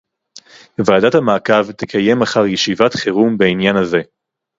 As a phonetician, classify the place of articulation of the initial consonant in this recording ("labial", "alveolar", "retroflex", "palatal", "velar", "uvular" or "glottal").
labial